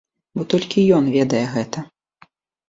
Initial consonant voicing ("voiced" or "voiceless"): voiced